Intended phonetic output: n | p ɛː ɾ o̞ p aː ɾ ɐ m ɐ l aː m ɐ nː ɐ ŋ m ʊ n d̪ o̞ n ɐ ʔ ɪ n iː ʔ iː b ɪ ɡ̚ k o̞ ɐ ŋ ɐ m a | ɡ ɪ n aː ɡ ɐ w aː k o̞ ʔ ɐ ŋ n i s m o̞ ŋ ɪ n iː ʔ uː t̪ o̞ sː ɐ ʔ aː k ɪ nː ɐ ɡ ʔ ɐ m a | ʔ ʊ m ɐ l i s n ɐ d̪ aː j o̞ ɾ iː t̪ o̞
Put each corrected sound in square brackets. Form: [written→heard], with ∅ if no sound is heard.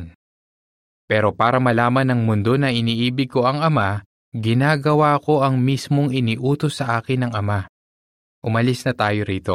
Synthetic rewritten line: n | p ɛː ɾ o̞ p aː ɾ ɐ m ɐ l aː m ɐ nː ɐ ŋ m ʊ n d̪ o̞ n ɐ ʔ ɪ n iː ʔ iː b ɪ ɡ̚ k o̞ ɐ ŋ ɐ m a | ɡ ɪ n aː ɡ ɐ w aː k o̞ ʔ ɐ ŋ [n→m] i s m o̞ ŋ ɪ n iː ʔ uː t̪ o̞ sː ɐ ʔ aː k ɪ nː ɐ [ɡ→ŋ] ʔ ɐ m a | ʔ ʊ m ɐ l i s n ɐ [d̪→t̪] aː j o̞ ɾ iː t̪ o̞